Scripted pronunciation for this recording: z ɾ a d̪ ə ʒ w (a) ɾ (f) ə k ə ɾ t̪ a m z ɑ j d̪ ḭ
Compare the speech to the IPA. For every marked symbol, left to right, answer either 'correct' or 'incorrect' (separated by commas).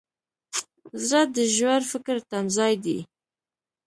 correct, correct